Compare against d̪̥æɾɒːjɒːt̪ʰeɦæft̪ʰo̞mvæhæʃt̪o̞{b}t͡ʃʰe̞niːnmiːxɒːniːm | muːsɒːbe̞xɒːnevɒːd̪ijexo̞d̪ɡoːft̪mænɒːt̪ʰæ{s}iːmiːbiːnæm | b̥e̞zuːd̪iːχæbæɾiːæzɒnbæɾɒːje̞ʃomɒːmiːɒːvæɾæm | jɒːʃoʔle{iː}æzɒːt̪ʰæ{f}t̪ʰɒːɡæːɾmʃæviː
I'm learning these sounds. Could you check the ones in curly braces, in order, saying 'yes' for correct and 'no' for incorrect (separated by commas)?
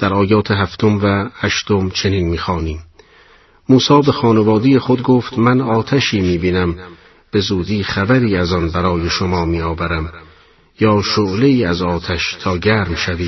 no, no, yes, no